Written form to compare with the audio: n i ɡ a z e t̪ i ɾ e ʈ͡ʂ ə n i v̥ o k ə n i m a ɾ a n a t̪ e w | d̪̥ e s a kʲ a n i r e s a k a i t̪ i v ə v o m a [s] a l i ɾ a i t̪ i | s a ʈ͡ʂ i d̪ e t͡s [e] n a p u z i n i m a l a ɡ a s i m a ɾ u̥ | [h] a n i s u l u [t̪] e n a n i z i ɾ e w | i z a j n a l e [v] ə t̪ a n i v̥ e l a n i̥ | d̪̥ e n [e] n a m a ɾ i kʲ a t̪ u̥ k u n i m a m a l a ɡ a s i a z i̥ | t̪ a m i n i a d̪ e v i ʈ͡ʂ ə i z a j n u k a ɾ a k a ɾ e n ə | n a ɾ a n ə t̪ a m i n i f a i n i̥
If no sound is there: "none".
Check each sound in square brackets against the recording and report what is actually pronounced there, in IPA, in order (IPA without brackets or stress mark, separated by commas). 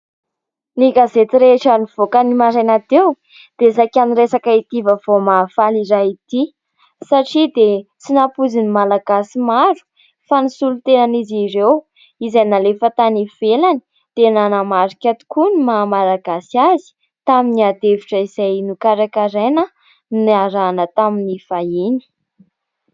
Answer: f, i, f, t̪, f, a